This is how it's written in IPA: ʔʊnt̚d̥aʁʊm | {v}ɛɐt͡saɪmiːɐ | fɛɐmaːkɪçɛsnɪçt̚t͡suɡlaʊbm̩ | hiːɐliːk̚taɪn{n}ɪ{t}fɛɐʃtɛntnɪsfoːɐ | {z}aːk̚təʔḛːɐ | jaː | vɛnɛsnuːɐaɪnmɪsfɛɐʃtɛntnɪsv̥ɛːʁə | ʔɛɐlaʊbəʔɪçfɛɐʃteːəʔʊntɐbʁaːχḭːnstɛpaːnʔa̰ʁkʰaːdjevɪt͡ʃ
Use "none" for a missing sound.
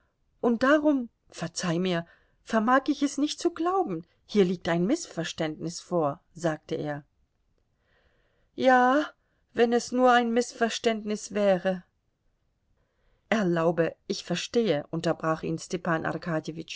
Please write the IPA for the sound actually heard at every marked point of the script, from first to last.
f, m, s, z

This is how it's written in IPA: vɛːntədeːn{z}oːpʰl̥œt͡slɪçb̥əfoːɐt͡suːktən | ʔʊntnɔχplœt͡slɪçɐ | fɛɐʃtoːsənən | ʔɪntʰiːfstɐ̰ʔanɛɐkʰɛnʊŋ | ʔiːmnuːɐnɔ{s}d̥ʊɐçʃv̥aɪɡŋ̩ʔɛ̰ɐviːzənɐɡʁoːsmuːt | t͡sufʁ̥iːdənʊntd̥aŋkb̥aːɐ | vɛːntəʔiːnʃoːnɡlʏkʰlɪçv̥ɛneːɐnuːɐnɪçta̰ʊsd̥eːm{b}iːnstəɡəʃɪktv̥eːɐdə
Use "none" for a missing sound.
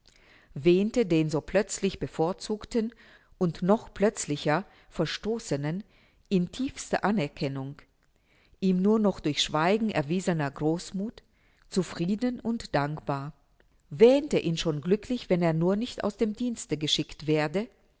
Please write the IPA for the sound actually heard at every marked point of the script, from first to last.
z, χ, d

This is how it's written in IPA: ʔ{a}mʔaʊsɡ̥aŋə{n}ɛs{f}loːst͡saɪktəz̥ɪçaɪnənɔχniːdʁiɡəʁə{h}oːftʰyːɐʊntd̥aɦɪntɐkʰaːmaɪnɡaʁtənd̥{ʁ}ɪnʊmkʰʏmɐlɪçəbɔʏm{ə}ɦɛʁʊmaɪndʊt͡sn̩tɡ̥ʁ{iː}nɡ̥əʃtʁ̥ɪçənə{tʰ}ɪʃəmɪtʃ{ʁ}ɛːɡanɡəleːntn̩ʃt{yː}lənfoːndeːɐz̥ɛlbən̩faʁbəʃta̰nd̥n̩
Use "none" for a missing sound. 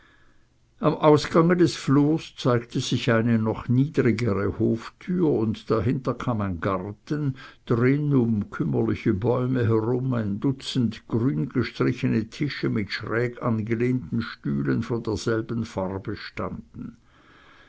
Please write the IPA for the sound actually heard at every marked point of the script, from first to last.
a, d, f, h, ʁ, ə, yː, tʰ, ʁ, yː

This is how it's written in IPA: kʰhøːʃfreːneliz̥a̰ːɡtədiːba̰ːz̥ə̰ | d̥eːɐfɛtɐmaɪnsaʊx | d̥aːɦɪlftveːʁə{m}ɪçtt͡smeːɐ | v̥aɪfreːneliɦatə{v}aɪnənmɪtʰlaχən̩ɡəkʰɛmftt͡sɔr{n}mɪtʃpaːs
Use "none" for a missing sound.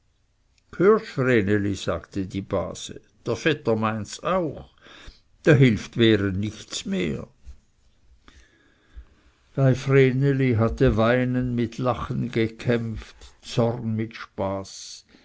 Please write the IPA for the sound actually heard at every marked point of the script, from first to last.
n, v, n

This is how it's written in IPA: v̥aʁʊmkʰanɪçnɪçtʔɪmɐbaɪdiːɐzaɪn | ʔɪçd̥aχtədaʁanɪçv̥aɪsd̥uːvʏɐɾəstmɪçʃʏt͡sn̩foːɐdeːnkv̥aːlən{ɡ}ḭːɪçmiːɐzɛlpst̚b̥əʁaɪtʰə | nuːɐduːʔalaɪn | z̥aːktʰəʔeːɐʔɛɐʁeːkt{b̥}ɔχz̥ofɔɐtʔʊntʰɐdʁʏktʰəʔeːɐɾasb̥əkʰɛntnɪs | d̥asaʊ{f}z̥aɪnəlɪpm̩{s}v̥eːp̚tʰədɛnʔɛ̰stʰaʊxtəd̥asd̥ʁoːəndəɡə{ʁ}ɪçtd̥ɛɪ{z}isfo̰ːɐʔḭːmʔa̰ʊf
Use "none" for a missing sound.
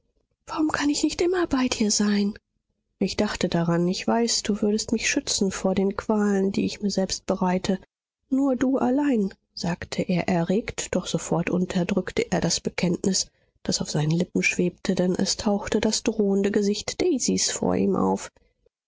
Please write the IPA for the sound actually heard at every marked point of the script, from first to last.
d, d̥, f, ʃ, z, z

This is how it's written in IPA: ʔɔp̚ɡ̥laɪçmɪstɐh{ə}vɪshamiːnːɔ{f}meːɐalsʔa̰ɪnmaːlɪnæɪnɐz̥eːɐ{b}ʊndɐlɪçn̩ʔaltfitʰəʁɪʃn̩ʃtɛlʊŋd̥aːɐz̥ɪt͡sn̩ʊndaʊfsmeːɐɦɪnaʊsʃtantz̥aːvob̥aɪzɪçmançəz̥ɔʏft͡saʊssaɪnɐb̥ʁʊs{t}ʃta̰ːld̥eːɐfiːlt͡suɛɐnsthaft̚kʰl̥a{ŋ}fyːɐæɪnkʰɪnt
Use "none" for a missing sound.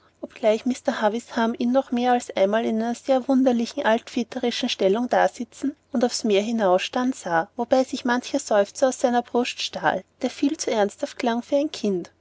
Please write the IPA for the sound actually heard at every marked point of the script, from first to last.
a, χ, v, t, ŋ

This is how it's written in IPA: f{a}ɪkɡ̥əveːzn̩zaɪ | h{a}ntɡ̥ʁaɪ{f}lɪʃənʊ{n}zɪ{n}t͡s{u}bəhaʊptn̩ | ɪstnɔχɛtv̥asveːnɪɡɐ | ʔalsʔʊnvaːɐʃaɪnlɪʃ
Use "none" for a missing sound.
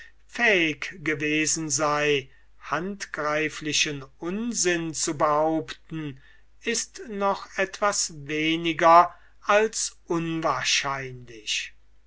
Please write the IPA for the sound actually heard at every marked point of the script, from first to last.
ɛ, a, f, n, n, u

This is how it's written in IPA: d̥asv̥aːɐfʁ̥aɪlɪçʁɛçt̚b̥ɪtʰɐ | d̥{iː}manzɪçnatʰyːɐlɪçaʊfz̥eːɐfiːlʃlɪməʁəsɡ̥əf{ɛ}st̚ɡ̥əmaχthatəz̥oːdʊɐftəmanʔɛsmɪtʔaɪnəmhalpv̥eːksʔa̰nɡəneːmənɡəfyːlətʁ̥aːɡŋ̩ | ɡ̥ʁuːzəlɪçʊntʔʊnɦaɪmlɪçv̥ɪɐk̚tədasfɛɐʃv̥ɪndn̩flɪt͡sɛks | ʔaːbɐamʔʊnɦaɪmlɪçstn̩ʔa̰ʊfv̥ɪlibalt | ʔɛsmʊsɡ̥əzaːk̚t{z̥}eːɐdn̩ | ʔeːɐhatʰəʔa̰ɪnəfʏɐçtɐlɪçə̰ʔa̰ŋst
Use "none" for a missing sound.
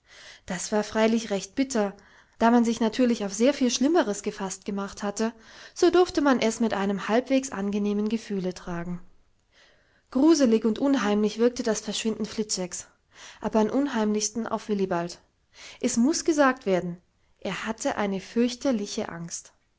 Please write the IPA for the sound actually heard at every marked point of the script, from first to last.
aː, a, v̥

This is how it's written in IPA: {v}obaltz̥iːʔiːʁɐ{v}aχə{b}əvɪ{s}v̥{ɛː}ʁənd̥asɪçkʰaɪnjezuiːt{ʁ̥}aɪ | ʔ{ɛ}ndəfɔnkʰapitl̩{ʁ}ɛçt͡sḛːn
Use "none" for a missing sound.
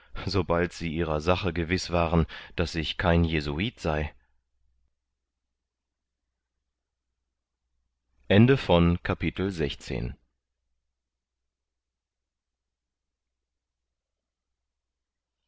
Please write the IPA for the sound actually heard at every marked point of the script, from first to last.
z, z, ɡ, s, aː, z̥, ɛ, z

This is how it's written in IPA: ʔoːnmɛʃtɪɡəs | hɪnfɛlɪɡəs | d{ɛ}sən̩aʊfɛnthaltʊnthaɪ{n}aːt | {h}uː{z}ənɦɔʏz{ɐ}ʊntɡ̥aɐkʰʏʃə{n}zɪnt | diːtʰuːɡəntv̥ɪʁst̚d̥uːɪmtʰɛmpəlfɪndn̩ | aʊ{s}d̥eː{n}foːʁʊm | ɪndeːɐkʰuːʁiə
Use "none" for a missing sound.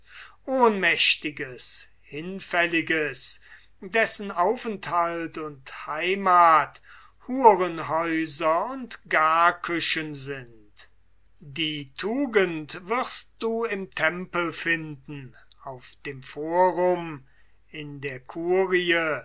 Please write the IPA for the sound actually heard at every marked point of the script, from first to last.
ɛ, m, h, ʁ, ɐ, n, f, m

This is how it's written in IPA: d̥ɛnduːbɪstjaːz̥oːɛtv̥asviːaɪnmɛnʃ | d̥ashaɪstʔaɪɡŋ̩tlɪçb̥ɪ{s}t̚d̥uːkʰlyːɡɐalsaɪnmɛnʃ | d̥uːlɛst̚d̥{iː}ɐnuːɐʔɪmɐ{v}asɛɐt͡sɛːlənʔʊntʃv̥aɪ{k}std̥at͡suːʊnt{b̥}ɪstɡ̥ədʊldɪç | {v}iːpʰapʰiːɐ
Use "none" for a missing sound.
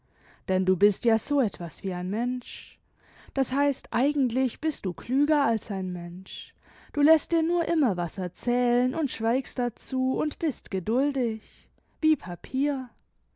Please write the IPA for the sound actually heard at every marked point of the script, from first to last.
s, iː, v, k, b̥, v

